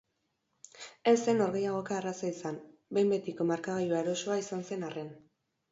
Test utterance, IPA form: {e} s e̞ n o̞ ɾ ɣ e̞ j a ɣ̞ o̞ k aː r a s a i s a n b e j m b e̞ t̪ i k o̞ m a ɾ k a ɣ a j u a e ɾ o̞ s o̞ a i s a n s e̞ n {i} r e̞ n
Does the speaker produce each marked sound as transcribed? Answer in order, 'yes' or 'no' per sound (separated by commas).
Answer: yes, no